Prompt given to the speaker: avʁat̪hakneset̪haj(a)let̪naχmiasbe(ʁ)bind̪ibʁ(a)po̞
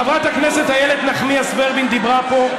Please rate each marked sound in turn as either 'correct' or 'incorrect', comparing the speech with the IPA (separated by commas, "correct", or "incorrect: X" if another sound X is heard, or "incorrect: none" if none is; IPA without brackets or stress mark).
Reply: incorrect: e, correct, correct